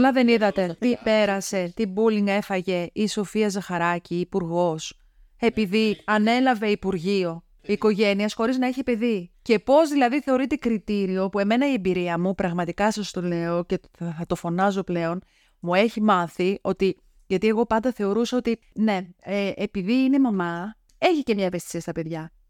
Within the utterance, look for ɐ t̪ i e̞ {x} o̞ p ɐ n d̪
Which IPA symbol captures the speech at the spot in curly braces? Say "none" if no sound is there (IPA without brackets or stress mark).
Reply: ɣ